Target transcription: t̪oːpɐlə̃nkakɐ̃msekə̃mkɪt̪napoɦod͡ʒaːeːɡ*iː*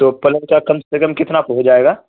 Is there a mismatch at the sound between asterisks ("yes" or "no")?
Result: yes